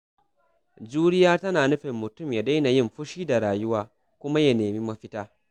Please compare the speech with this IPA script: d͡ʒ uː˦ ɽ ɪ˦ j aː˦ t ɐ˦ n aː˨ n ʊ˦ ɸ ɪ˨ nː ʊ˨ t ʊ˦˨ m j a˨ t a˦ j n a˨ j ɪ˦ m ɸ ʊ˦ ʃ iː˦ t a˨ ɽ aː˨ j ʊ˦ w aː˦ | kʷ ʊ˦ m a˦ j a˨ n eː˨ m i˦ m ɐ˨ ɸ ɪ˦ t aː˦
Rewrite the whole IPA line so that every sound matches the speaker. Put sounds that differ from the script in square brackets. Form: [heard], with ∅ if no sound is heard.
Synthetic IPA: d͡ʒ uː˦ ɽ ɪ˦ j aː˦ t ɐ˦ n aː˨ n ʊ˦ ɸ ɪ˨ [mː] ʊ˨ t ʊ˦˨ m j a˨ [d] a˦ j n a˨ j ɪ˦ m ɸ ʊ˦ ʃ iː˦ [d] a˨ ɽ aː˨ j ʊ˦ w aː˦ | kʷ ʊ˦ m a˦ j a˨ n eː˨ m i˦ m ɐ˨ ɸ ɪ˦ t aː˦